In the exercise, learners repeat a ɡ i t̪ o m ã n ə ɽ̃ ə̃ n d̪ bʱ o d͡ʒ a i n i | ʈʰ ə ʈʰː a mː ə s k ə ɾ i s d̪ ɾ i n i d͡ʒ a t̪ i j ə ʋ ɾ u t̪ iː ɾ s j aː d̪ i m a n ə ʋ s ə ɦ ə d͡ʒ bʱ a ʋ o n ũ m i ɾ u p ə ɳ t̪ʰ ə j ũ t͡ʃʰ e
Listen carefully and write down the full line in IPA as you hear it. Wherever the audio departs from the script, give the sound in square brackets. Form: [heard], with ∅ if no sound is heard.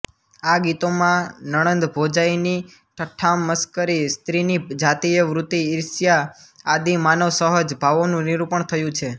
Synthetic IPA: a ɡ i t̪ o m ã n ə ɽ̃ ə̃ n d̪ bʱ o d͡ʒ a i n i | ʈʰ ə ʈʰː a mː ə s k ə ɾ i s [t̪] ɾ i n i d͡ʒ a t̪ i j ə ʋ ɾ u t̪ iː ɾ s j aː d̪ i m a n ə ʋ s ə ɦ ə d͡ʒ bʱ a ʋ o n ũ [n] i ɾ u p ə ɳ t̪ʰ ə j ũ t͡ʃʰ e